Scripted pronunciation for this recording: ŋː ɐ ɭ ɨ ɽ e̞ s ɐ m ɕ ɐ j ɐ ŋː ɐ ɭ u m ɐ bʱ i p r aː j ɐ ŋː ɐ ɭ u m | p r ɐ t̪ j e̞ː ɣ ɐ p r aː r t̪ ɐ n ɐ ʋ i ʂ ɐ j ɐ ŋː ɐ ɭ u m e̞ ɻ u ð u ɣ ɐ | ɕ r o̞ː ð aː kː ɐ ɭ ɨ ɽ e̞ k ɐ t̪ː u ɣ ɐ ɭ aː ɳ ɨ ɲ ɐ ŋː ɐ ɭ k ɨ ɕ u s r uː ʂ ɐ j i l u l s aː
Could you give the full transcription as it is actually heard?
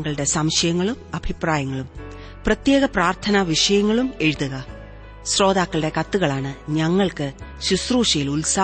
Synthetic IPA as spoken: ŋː ɐ ɭ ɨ ɽ e̞ s ɐ m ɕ ɐ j ɐ ŋː ɐ ɭ u m ɐ bʱ i p r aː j ɐ ŋː ɐ ɭ u m | p r ɐ t̪ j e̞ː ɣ ɐ p r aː r t̪ʰ ɐ n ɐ ʋ i ʂ ɐ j ɐ ŋː ɐ ɭ u m e̞ ɻ u ð u ɣ ɐ | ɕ r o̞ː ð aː kː ɐ ɭ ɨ ɽ e̞ k ɐ t̪ː u ɣ ɐ ɭ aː ɳ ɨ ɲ ɐ ŋː ɐ ɭ k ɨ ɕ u s r uː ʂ ɐ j i l u l s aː